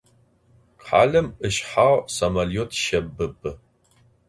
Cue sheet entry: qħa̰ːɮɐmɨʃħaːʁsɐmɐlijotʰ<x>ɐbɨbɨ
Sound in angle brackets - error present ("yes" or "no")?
yes